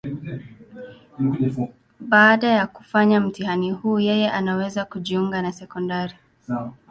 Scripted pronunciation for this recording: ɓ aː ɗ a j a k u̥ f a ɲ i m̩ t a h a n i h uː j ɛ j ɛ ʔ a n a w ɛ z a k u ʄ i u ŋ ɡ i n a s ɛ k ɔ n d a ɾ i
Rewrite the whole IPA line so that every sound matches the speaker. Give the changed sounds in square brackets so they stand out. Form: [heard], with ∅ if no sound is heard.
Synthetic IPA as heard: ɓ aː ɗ a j a k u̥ f a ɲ [a] m̩ t [i] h a n i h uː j ɛ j ɛ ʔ a n a w ɛ z a k u ʄ i u ŋ ɡ [a] n a s ɛ k ɔ n d a ɾ i